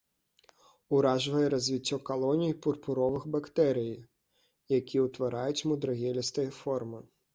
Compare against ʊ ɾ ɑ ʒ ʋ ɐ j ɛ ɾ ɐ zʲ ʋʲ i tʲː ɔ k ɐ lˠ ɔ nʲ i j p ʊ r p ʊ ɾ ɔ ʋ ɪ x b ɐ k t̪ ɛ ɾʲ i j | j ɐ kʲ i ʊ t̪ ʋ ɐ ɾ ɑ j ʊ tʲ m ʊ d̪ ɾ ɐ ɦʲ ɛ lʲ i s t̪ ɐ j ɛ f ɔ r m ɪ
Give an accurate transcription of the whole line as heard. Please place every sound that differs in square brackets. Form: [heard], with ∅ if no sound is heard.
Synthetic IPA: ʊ ɾ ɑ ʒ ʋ ɐ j ɛ ɾ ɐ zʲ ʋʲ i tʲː ɔ k ɐ lˠ ɔ nʲ i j p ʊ r p ʊ ɾ ɔ ʋ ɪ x b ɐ k t̪ ɛ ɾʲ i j | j ɐ kʲ i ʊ t̪ ʋ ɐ ɾ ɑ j ʊ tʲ m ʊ d̪ ɾ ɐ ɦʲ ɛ lʲ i s t̪ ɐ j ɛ f ɔ r m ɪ